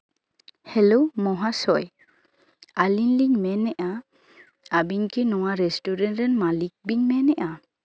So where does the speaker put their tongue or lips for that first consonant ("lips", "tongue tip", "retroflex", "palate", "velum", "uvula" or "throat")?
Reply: throat